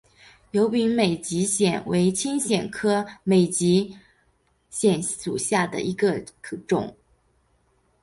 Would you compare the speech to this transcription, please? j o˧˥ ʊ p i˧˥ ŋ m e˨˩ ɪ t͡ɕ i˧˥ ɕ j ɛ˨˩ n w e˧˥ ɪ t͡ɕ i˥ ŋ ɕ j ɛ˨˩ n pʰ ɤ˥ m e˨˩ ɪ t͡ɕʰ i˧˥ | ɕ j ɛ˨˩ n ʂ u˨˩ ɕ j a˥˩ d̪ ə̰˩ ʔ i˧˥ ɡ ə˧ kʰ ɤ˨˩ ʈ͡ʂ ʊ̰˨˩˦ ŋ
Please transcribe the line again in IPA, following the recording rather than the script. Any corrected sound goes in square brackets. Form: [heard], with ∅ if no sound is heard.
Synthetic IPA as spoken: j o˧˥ ʊ p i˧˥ ŋ m e˨˩ ɪ t͡ɕ i˧˥ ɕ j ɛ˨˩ n w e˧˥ ɪ [t͡ɕʰ] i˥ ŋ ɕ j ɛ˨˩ n [kʰ] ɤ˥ m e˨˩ ɪ [t͡ɕ] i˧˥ | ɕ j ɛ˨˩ n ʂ u˨˩ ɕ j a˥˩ d̪ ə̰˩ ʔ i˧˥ ɡ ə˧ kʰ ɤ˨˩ ʈ͡ʂ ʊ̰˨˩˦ ŋ

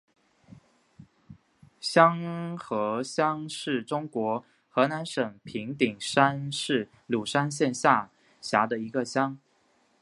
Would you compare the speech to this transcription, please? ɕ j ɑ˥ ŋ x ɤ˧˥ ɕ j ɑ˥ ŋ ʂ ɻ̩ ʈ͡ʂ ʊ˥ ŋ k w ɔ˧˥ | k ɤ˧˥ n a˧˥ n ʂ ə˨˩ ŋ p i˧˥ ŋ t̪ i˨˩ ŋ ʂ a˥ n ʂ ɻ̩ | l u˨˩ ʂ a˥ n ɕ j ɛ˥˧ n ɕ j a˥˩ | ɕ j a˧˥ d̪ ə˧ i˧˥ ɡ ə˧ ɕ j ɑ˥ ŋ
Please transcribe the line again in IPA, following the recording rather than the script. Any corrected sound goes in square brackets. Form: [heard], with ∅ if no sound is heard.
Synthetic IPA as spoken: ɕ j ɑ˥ ŋ x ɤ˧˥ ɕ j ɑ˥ ŋ ʂ ɻ̩ ʈ͡ʂ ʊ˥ ŋ k w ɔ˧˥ | [x] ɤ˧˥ n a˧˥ n ʂ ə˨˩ ŋ [pʰ] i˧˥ ŋ t̪ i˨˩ ŋ ʂ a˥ n ʂ ɻ̩ | l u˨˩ ʂ a˥ n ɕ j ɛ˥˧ n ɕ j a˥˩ | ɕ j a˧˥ d̪ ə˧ i˧˥ ɡ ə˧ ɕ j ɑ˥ ŋ

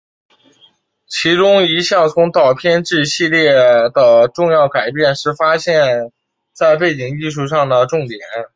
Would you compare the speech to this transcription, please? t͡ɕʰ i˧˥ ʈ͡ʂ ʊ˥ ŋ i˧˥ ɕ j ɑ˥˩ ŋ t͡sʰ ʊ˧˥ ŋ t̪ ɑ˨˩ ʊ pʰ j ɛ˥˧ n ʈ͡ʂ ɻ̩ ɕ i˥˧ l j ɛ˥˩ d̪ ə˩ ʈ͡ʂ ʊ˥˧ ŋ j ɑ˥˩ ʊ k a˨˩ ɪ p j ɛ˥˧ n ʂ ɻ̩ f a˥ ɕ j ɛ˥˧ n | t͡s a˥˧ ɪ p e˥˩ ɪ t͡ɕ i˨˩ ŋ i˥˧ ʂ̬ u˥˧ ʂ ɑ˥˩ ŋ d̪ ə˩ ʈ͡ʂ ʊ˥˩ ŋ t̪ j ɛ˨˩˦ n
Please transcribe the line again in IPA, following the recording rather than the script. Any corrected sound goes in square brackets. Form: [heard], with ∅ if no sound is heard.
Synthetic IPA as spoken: t͡ɕʰ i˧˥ ʈ͡ʂ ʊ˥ ŋ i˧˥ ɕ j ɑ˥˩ ŋ t͡sʰ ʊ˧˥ ŋ t̪ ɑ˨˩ ʊ pʰ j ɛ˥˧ n ʈ͡ʂ ɻ̩ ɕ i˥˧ l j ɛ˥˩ d̪ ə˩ ʈ͡ʂ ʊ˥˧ ŋ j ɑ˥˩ ʊ k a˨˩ ɪ p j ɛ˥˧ n ʂ ɻ̩ f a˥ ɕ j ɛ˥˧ n | t͡s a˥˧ ɪ p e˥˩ ɪ t͡ɕ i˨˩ ŋ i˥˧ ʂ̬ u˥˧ ʂ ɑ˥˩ ŋ d̪ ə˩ ʈ͡ʂ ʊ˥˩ ŋ t̪ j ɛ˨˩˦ n

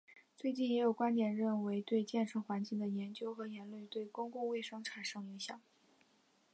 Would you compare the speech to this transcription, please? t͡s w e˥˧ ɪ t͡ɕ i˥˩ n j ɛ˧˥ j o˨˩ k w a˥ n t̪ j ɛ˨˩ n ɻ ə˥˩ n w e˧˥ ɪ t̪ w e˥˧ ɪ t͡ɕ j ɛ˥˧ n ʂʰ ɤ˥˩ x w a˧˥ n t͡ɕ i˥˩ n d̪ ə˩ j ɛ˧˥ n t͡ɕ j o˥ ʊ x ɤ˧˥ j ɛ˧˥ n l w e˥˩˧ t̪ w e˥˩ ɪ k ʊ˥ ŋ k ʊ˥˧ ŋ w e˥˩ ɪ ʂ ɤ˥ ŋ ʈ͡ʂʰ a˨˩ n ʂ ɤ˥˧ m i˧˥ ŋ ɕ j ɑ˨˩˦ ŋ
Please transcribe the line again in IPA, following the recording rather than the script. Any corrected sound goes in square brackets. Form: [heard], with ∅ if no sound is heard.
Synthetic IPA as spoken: t͡s w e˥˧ ɪ t͡ɕ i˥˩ n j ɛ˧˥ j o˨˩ k w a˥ n t̪ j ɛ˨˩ n ɻ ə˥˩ n w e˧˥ ɪ t̪ w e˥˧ ɪ t͡ɕ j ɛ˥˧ n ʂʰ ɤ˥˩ x w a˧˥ n t͡ɕ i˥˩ [ŋ] d̪ ə˩ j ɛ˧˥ n t͡ɕ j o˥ ʊ x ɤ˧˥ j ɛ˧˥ n l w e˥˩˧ t̪ w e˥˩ ɪ k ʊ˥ ŋ k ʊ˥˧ ŋ w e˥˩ ɪ ʂ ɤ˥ ŋ ʈ͡ʂʰ a˨˩ n ʂ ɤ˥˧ [ŋ] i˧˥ ŋ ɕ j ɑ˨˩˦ ŋ

